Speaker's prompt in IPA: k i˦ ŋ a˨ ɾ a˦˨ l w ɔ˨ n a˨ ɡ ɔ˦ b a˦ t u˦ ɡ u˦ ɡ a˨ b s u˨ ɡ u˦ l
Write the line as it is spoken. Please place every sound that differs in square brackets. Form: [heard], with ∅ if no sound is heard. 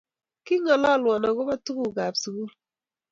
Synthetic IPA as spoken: k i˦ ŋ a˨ [l] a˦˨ l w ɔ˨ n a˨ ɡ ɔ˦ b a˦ t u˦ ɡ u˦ ɡ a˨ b s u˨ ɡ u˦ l